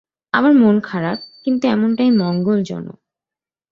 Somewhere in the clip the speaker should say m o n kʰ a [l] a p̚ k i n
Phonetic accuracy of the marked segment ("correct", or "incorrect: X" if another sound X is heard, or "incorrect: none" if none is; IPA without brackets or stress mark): incorrect: ɾ